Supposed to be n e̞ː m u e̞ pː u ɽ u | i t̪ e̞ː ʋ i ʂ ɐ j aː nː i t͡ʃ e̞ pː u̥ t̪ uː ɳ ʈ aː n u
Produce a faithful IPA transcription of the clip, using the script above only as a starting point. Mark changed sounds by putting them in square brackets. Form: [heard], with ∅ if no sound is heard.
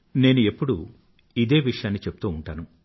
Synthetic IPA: n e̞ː [n] u e̞ pː u ɽ u | i [d̪] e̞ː ʋ i ʂ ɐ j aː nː i t͡ʃ e̞ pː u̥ t̪ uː ɳ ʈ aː n u